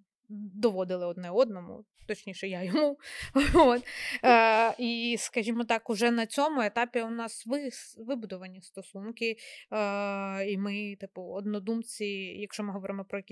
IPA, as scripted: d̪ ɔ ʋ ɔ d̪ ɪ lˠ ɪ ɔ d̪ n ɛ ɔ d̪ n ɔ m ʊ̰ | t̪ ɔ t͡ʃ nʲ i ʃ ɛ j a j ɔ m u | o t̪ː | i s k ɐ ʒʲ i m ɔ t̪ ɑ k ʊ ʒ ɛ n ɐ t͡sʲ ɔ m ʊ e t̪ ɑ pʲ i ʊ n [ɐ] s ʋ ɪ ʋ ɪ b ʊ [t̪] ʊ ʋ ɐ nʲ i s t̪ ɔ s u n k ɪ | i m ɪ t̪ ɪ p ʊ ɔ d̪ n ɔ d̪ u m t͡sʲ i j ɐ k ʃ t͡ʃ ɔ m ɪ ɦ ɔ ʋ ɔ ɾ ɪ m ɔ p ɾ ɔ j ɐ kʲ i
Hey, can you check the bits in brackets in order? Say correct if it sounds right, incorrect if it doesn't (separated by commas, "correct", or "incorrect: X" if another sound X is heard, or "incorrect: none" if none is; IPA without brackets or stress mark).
incorrect: ɑ, incorrect: d̪